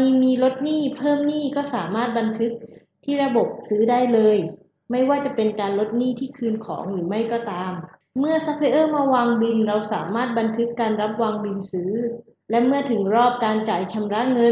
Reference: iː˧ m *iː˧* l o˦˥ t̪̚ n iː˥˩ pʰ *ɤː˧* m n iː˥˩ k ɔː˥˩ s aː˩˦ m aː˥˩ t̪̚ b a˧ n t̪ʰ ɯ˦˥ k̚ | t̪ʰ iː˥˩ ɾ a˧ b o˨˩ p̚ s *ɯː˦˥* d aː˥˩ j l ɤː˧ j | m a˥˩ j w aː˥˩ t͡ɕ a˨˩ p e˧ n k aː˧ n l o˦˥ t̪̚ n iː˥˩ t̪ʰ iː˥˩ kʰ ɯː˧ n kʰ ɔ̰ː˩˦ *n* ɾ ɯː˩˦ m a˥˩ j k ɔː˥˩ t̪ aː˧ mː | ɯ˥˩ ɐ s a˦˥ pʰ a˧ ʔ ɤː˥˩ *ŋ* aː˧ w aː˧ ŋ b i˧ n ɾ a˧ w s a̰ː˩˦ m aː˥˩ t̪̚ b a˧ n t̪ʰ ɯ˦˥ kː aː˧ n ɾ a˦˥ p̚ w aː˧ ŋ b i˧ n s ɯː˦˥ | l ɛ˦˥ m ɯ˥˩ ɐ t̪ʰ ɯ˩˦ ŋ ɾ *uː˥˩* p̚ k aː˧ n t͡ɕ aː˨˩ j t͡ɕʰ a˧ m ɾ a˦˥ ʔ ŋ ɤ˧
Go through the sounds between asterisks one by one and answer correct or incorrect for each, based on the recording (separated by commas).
correct, incorrect, correct, incorrect, incorrect, incorrect